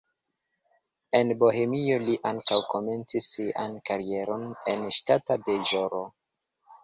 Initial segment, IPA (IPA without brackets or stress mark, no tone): e̞